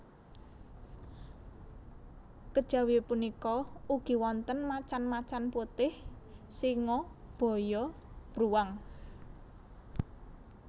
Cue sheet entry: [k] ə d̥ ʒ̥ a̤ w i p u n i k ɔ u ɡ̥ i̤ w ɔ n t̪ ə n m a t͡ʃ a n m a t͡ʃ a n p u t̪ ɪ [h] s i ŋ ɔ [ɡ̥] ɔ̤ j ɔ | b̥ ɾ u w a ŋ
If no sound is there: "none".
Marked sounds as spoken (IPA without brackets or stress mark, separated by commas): k, h, b̥